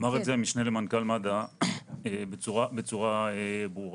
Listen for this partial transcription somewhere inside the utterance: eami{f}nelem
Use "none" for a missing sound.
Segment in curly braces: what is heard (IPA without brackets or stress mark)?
ʃ